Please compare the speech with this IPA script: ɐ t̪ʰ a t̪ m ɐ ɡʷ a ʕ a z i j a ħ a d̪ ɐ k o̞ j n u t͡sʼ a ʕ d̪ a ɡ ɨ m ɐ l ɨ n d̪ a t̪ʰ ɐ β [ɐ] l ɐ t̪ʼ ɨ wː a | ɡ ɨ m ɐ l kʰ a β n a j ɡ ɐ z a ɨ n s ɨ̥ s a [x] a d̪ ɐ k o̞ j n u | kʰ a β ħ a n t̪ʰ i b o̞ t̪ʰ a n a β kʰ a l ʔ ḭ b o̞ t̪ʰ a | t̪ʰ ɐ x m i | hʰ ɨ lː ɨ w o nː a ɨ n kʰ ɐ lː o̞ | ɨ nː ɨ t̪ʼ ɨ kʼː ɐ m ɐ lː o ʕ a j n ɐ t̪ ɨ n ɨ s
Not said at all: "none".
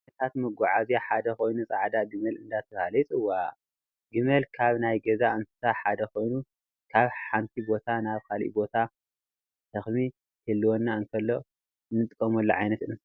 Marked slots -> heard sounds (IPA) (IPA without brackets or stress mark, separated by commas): a, ħ